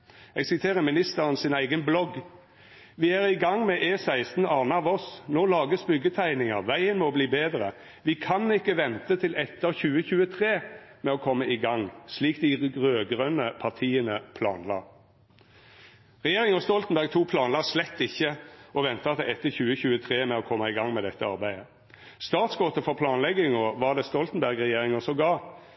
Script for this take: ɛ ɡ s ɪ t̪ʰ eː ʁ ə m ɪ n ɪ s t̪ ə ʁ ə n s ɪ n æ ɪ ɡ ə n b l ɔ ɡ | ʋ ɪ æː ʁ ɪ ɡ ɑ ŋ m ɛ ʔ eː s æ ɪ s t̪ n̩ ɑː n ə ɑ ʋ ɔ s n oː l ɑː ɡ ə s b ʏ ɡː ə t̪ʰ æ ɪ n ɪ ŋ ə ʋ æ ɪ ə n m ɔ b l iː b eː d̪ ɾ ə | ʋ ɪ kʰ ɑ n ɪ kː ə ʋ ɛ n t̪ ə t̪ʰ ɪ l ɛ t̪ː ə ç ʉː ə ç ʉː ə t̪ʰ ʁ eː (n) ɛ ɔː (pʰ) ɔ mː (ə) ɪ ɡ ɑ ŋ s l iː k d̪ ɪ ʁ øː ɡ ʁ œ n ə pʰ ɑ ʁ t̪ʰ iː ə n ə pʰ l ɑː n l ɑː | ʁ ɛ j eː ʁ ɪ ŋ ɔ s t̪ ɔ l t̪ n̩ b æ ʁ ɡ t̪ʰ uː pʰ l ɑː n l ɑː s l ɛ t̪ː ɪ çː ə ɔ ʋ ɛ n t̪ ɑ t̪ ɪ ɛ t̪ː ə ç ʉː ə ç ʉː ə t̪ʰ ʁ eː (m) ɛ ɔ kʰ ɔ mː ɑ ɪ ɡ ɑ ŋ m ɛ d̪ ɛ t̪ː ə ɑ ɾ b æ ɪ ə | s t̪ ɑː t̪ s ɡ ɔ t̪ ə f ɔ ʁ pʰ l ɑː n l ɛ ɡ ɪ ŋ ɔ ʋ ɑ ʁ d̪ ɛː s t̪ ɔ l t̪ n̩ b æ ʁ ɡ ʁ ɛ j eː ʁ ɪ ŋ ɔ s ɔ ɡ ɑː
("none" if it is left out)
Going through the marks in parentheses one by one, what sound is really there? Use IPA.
m, kʰ, ə, m

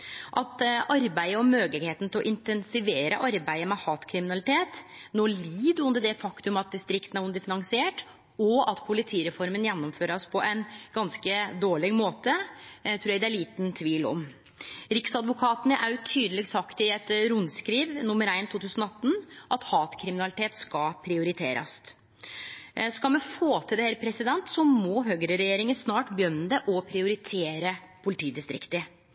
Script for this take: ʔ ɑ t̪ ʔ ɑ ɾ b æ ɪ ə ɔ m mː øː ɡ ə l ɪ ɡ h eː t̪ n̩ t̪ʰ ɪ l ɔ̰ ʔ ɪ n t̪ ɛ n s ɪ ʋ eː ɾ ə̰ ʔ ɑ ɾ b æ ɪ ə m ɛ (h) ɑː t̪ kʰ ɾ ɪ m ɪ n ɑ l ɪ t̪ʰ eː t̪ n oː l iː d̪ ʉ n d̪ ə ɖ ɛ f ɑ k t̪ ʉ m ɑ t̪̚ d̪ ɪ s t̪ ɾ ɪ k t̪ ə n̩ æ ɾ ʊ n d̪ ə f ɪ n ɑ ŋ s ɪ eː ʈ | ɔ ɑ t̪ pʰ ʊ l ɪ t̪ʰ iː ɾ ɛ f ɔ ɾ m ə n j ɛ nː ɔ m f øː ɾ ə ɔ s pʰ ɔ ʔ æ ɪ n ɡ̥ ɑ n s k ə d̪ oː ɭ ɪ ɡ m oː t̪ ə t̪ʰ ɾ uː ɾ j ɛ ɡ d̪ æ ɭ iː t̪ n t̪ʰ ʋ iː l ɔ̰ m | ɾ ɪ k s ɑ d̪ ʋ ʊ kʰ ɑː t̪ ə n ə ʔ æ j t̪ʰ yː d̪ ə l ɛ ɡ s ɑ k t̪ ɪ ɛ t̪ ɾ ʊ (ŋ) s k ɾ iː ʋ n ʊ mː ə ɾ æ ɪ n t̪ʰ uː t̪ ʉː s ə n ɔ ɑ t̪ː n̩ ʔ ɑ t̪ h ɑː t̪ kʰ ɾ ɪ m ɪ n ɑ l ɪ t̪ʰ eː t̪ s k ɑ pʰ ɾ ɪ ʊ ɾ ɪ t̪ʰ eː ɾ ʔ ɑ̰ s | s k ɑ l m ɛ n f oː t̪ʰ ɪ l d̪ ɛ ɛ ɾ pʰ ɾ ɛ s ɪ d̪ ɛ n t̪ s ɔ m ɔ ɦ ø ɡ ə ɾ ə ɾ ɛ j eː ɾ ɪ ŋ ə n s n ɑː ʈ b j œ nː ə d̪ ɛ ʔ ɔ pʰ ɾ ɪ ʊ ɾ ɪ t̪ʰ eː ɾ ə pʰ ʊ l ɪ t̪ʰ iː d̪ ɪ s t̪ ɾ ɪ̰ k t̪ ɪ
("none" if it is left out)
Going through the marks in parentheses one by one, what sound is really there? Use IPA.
h, n

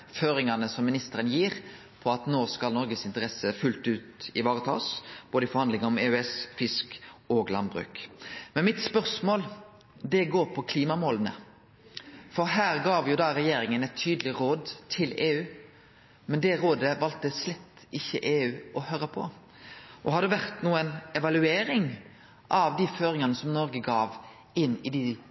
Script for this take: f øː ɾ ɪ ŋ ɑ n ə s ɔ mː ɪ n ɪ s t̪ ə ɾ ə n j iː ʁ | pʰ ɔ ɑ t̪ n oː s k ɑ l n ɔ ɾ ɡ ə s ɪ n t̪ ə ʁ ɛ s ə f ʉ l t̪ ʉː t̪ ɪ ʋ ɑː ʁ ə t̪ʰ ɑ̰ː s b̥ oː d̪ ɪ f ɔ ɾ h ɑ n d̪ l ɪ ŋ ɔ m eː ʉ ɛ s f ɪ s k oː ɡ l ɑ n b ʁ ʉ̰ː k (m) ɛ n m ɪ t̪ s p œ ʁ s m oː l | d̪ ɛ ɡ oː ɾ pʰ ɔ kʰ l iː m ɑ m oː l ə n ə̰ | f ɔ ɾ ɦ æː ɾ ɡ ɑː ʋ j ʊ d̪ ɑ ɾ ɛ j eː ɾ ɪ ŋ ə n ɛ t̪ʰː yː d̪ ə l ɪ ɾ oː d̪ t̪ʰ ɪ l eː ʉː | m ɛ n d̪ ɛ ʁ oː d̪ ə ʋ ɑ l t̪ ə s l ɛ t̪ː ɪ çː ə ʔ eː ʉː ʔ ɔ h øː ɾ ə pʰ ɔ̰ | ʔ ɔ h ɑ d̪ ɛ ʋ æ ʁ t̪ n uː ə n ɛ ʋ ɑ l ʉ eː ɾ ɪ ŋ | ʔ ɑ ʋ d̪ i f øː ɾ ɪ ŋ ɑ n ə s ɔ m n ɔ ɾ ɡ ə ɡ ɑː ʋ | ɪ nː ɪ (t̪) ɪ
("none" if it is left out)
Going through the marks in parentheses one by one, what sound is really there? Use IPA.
m, d̪

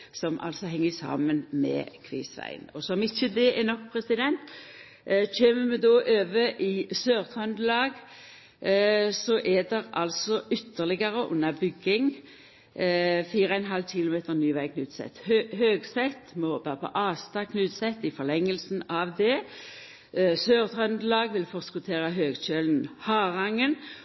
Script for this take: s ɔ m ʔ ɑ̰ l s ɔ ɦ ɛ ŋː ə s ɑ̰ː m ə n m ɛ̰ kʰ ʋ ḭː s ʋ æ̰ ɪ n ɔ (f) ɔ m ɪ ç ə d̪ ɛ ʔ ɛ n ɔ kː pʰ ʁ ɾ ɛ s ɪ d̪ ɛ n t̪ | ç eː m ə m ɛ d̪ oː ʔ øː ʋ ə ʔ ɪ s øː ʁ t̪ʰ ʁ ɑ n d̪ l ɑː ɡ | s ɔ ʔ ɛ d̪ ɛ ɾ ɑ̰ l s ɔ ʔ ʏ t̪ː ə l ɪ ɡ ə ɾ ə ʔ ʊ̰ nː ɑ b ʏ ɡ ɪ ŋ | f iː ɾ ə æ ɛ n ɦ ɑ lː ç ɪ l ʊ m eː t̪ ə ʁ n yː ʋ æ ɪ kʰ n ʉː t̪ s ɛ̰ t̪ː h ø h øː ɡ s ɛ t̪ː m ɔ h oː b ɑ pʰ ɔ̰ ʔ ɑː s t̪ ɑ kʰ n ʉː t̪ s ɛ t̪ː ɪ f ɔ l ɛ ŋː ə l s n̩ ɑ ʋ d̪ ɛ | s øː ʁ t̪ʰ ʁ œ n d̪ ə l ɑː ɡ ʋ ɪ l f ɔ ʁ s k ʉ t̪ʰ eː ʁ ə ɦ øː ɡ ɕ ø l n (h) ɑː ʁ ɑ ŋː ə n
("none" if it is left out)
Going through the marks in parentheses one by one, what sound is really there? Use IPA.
s, h

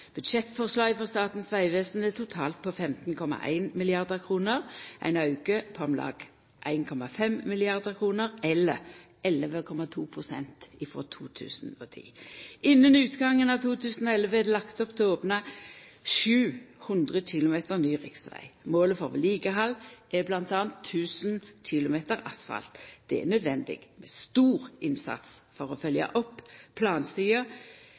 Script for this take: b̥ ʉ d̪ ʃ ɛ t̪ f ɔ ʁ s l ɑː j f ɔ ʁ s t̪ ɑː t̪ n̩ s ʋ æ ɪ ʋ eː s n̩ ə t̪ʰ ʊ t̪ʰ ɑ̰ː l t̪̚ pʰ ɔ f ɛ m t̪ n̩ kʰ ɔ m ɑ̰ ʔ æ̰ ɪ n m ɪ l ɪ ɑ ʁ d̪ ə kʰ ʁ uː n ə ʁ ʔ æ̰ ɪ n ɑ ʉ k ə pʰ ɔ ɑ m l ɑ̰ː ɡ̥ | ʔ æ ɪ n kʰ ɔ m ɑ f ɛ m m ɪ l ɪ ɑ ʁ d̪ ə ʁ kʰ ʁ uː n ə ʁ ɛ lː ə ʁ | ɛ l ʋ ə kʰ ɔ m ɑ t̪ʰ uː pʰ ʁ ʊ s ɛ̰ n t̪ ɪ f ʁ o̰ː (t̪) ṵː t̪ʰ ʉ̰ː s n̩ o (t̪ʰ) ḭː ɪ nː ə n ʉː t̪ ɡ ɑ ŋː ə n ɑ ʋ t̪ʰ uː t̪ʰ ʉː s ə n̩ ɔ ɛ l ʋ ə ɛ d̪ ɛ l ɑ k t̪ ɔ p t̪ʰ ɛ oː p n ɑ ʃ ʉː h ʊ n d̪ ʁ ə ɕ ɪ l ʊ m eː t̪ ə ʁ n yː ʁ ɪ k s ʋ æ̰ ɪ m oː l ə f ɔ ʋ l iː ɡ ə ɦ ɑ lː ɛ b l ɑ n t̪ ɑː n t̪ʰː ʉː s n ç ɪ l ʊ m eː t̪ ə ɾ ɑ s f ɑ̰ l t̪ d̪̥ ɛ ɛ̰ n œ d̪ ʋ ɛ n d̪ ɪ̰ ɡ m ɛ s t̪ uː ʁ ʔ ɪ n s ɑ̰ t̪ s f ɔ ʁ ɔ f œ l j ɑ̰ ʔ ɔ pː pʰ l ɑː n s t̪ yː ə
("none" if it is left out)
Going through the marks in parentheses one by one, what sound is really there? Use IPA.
t̪ʰ, t̪ʰ

